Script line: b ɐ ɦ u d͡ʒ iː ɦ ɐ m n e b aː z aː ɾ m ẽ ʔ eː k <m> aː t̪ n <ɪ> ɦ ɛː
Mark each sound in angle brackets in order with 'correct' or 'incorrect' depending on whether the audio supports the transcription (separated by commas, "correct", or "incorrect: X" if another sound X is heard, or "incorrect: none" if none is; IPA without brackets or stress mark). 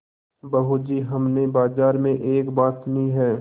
incorrect: b, incorrect: i